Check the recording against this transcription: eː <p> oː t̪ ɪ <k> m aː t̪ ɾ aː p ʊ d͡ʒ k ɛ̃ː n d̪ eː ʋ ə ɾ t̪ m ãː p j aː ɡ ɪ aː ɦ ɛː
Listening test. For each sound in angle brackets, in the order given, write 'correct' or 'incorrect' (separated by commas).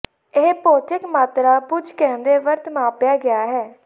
correct, correct